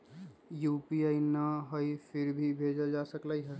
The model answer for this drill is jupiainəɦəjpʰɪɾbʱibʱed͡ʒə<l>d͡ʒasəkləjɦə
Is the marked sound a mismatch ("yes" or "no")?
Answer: no